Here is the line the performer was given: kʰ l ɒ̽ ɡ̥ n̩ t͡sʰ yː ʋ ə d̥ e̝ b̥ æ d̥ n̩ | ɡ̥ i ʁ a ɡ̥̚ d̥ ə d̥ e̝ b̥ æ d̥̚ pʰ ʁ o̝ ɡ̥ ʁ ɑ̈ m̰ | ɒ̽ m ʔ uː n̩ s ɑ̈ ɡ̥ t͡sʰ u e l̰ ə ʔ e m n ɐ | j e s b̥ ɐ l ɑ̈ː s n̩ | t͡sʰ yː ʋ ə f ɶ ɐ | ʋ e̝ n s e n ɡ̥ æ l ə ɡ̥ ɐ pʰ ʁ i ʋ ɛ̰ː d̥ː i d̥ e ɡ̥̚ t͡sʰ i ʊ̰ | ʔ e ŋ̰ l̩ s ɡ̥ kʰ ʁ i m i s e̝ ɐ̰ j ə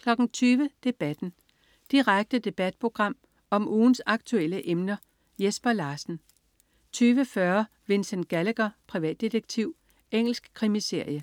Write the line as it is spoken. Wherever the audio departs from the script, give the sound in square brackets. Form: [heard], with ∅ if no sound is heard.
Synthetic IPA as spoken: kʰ l ɒ̽ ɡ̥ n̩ t͡sʰ yː ʋ ə d̥ e̝ b̥ æ d̥ n̩ | [d̥] i ʁ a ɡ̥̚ d̥ ə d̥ e̝ b̥ æ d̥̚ pʰ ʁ o̝ ɡ̥ ʁ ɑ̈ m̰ | ɒ̽ m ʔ uː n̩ s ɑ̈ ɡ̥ t͡sʰ u e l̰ ə ʔ e m n ɐ | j e s b̥ ɐ l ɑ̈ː s n̩ | t͡sʰ yː ʋ ə f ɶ ɐ | ʋ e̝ n s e n ɡ̥ æ l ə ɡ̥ ɐ pʰ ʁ i ʋ ɛ̰ː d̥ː i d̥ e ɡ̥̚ t͡sʰ i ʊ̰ | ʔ e ŋ̰ l̩ s ɡ̥ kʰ ʁ i m i s e̝ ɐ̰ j ə